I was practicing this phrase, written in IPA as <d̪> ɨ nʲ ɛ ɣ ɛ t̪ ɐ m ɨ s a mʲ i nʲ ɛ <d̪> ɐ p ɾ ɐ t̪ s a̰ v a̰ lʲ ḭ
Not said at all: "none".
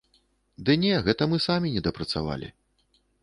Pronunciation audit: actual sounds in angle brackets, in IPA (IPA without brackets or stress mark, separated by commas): d̪, d̪